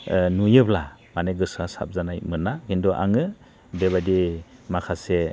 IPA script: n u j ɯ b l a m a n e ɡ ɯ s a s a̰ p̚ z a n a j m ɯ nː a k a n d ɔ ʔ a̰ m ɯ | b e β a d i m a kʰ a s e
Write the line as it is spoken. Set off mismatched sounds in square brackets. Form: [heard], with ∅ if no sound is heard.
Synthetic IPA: n u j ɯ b l a m a n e ɡ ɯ s a s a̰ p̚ z a n a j m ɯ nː a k [i] n d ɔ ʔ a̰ [ŋ] ɯ | b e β a d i m a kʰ a s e